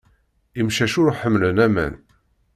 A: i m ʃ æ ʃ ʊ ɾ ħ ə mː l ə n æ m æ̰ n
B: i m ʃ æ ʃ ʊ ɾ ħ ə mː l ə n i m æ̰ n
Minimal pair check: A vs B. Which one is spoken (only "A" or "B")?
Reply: A